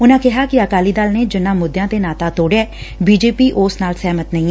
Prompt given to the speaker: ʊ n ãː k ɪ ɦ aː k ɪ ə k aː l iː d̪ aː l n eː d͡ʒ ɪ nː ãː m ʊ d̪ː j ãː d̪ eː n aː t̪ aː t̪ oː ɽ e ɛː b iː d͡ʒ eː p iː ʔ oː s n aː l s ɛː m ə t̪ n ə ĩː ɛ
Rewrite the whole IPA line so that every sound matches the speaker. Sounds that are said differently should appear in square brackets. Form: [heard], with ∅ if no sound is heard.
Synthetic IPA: ʊ n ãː k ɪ ɦ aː k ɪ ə k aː l iː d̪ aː l n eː d͡ʒ ɪ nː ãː m ʊ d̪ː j ãː [t̪] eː n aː t̪ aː t̪ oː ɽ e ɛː b iː d͡ʒ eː p iː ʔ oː s n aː l s ɛː m ə t̪ n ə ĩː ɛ